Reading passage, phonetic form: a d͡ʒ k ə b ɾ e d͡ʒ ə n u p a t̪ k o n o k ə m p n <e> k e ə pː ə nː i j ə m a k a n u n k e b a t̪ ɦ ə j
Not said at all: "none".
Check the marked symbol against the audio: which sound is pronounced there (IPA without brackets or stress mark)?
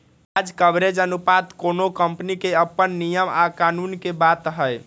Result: i